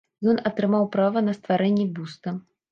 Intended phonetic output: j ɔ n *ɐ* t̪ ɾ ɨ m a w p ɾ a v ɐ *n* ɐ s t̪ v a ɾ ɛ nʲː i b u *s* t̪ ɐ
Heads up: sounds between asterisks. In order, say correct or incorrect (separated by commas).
correct, correct, correct